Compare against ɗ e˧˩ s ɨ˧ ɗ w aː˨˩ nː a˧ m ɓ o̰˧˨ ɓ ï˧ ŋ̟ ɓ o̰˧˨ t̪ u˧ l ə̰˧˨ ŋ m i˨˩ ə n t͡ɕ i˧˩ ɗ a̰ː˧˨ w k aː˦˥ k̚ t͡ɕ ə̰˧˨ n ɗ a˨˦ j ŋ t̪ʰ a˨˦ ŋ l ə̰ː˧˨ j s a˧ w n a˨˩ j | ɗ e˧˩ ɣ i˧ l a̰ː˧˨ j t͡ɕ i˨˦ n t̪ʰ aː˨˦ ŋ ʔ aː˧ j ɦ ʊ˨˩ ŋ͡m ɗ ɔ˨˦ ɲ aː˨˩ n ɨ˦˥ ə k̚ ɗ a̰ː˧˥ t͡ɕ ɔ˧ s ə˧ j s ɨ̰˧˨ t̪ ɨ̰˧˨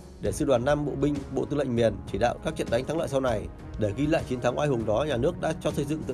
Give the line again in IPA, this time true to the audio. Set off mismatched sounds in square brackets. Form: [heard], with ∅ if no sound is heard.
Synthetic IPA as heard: ɗ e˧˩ s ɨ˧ ɗ w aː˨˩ nː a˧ m ɓ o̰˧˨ ɓ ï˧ ŋ̟ ɓ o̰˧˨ t̪ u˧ l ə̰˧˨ ŋ m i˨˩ ə n t͡ɕ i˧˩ ɗ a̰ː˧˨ w k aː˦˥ k̚ t͡ɕ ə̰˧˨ n ɗ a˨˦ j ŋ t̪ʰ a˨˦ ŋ l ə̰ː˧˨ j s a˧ w n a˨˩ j | ɗ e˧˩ ɣ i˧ l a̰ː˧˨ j t͡ɕ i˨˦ n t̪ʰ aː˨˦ ŋ ʔ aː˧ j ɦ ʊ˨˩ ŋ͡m ɗ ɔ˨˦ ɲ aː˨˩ n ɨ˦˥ ə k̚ ɗ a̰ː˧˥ t͡ɕ ɔ˧ s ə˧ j [z] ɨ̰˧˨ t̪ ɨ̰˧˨

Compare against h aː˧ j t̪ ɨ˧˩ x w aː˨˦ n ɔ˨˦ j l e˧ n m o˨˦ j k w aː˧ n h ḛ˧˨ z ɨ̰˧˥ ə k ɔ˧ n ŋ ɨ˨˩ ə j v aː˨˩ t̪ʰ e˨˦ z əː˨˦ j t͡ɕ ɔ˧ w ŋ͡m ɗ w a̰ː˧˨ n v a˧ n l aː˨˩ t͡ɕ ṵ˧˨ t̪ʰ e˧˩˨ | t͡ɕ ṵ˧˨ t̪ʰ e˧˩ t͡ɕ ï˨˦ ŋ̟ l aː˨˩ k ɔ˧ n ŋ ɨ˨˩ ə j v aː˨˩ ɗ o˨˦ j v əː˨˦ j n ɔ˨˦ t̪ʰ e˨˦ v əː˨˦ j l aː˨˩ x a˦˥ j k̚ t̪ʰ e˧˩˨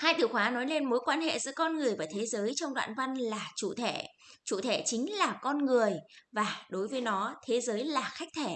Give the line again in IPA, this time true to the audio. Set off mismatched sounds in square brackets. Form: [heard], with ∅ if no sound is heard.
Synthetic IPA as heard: h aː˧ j t̪ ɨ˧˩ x w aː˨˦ n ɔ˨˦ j l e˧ n m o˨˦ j k w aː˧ n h ḛ˧˨ z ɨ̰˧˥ ə k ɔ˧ n ŋ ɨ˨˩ ə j v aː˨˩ t̪ʰ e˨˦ z əː˨˦ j t͡ɕ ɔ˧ w ŋ͡m ɗ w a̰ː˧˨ n v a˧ n l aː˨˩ t͡ɕ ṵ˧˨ t̪ʰ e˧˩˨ | t͡ɕ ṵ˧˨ t̪ʰ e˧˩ t͡ɕ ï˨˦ ŋ̟ l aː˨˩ k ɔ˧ n ŋ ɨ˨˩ ə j v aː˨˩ ɗ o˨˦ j v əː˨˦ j n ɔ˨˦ t̪ʰ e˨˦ [z] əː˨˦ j l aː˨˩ x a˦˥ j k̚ t̪ʰ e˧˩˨

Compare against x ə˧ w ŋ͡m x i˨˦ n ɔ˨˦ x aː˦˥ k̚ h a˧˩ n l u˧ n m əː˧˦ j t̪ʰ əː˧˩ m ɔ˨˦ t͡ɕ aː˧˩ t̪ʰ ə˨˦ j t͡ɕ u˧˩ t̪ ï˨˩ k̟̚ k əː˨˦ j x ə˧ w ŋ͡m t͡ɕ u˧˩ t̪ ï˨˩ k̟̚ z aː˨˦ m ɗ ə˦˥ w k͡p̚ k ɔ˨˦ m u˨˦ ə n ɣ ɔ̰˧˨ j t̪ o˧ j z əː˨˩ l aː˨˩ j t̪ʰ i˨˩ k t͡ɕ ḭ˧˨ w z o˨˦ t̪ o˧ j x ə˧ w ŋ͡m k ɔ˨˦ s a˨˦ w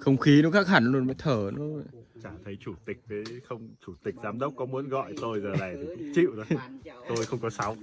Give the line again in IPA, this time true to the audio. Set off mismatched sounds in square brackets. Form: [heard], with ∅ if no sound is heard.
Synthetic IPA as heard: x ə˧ w ŋ͡m x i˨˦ n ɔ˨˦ [k] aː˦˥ k̚ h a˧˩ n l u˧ n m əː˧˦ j t̪ʰ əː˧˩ [n] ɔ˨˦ t͡ɕ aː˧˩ t̪ʰ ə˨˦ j t͡ɕ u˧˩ t̪ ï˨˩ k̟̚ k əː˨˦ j x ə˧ w ŋ͡m t͡ɕ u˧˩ t̪ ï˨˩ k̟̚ z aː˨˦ m ɗ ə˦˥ w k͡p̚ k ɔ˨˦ m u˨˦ ə n ɣ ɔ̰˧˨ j t̪ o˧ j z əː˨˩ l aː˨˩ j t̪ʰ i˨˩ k t͡ɕ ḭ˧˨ w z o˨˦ t̪ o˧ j x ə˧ w ŋ͡m k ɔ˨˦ s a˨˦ w

